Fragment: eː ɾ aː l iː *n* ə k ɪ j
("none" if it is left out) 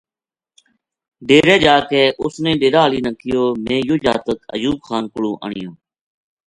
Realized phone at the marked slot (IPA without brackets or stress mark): n